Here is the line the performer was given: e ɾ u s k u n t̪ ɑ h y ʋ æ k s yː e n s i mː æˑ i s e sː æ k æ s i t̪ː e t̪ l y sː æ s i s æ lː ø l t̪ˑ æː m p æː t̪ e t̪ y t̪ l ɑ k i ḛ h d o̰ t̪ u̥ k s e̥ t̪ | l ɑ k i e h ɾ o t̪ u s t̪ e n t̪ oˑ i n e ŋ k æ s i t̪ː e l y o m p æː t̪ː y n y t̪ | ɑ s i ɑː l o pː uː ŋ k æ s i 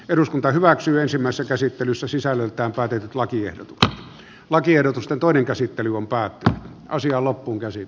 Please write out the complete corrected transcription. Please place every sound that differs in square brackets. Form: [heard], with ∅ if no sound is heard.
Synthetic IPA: e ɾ u s k u n t̪ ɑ h y ʋ æ k s yː e n s i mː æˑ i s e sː æ k æ s i t̪ː e [∅] l y sː æ s i s æ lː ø l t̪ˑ æː m p æː t̪ e t̪ y t̪ l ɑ k i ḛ h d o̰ t̪ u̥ k s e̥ t̪ | l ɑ k i e h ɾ o t̪ u s t̪ e n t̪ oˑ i n e ŋ k æ s i t̪ː e l y o m p æː t̪ː y n y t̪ | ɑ s i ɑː l o pː uː ŋ k æ s i

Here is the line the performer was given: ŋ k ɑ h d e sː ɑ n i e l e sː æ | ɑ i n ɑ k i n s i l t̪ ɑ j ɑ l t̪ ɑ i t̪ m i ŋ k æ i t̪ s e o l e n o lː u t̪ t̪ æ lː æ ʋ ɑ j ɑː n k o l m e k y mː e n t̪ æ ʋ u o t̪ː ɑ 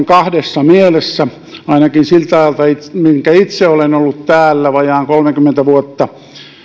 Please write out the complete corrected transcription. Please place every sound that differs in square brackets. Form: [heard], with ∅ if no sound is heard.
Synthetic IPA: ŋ k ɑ h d e sː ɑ [m] i e l e sː æ | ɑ i n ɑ k i n s i l t̪ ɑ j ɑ l t̪ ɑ i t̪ m i ŋ k æ i t̪ s e o l e n o lː u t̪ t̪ [æː] lː æ ʋ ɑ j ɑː [ŋ] k o l m e k y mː e n t̪ æ ʋ u o t̪ː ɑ

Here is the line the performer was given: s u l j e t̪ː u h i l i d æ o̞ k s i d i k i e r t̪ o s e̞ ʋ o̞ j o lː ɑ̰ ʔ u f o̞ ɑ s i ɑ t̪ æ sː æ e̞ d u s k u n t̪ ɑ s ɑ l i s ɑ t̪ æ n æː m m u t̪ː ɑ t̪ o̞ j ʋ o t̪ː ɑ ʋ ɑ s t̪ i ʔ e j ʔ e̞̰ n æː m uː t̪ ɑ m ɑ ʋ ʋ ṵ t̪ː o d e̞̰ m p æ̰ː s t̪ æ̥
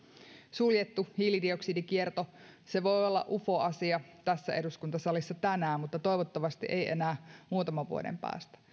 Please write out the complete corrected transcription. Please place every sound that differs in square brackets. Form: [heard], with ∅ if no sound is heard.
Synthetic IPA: s u l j e t̪ː u h i l i d [i] o̞ k s i d i k i e r t̪ o s e̞ ʋ o̞ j o lː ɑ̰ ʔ u f o̞ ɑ s i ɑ t̪ æ sː æ e̞ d u s k u n t̪ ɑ s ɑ l i [sː] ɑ t̪ æ n æː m m u t̪ː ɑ t̪ o̞ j ʋ o t̪ː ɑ ʋ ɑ s t̪ i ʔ e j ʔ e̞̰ n æː m uː t̪ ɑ m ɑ ʋ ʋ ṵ [∅] o d e̞̰ m p æ̰ː s t̪ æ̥

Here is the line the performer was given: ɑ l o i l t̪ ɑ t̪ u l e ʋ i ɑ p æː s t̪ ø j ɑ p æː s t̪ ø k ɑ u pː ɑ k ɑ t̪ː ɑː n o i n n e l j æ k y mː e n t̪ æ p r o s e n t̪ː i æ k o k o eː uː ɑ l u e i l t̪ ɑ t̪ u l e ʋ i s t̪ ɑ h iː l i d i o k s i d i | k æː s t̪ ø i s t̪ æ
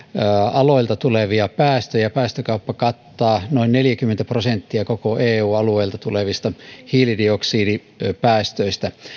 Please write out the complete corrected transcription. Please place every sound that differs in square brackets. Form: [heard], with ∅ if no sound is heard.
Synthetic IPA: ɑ l o i l t̪ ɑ t̪ u l e ʋ i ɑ p æː s t̪ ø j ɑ p æː s t̪ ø k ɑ u pː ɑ k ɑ t̪ː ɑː n o i n n e l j æ k y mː e n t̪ æ p r o s e n t̪ː i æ k o k o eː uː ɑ l u e i l t̪ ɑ t̪ u l e ʋ i s t̪ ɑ h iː l i d i o k s [iː] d i | [p] æː s t̪ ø i s t̪ æ

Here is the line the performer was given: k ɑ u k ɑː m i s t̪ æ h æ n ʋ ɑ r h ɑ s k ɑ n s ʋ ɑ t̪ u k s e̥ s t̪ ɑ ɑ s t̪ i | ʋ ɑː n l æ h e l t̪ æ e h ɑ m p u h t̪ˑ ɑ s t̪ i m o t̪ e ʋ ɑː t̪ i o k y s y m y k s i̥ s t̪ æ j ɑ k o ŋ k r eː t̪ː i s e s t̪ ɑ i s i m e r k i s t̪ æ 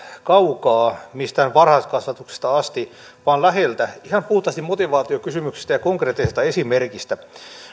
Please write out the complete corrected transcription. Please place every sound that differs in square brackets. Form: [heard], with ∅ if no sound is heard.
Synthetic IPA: k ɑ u k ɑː m i s t̪ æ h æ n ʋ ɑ r h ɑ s k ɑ [∅] s ʋ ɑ t̪ u k s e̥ s t̪ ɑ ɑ s t̪ i | ʋ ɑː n l æ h e l t̪ æ [i] h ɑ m p u h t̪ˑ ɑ s t̪ i m o t̪ [i] ʋ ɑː t̪ i o k y s y m y k s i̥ s t̪ æ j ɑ k o ŋ k r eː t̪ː i s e s t̪ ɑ [e] s i m e r k i s t̪ æ

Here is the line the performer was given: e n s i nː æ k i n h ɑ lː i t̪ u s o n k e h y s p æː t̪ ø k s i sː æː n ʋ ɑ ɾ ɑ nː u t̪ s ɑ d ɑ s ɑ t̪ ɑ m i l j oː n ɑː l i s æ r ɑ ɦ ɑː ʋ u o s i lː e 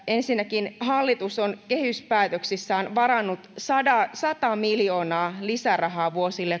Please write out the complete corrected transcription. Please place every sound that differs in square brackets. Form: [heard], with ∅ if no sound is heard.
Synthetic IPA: e n s i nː æ k i n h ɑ lː i t̪ u s o n k e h y s p æː t̪ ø k s i sː æː n ʋ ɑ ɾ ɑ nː u t̪ s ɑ d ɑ s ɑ t̪ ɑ m i l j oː n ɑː l i s æ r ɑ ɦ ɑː ʋ u o s i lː e

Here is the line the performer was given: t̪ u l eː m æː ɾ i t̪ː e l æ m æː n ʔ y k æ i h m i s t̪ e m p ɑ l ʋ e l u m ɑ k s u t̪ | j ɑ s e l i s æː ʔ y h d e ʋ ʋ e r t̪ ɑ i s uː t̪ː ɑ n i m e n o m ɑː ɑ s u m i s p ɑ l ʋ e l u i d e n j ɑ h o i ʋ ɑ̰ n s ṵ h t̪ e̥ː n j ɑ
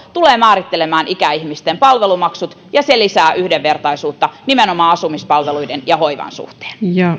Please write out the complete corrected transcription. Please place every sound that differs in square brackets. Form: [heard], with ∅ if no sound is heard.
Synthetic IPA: t̪ u l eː m æː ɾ i t̪ː e l [e] m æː n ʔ [i] k æ i h m i s t̪ e m p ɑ l ʋ e l u m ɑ k s u t̪ | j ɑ s e l i s æː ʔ y h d e ʋ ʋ e r t̪ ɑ i s uː t̪ː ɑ n i m e n o m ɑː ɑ s u m i s p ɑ l ʋ e l u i d e n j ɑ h o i ʋ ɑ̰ n s ṵ h t̪ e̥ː n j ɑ

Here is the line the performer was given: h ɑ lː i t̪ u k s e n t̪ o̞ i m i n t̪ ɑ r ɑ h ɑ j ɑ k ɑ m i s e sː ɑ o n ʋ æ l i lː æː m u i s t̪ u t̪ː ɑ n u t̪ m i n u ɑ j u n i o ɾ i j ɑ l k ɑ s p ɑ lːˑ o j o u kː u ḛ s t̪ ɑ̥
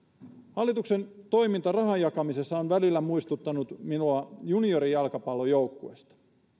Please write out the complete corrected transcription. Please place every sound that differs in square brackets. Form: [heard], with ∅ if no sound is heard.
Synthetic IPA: h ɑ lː i t̪ u k s e n t̪ o̞ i m i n t̪ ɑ r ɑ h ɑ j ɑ k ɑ m i s e sː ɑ o n ʋ æ l i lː [æ] m u i s t̪ u t̪ː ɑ n u t̪ m i n u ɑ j u n i o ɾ i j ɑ l k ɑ [∅] p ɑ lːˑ o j o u kː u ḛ s t̪ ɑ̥

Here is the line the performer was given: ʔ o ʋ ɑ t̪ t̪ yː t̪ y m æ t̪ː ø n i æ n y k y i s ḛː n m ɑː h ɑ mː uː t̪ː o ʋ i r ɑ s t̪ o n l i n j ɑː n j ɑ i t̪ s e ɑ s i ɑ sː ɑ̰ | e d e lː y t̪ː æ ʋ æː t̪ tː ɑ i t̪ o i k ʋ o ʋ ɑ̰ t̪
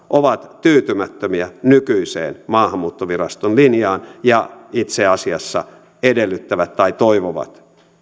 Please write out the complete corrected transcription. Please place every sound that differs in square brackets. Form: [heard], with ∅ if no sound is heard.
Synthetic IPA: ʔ o ʋ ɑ t̪ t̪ yː t̪ y m æ t̪ː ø [m] i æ n y k y i s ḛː n m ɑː h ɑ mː uː t̪ː o ʋ i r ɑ s t̪ o n l i n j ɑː n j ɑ i t̪ s e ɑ s i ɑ sː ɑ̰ | e d e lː y t̪ː æ ʋ [æ] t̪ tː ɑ i t̪ o i [∅] ʋ o ʋ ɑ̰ t̪

